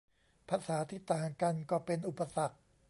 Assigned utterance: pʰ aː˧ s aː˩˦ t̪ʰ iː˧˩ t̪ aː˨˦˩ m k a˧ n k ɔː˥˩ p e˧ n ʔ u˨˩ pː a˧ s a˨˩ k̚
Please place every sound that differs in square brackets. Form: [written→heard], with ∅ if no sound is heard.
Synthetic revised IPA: pʰ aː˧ s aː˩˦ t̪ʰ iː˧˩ t̪ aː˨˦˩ [m→ŋ] k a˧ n k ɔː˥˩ p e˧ n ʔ u˨˩ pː a˧ s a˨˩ k̚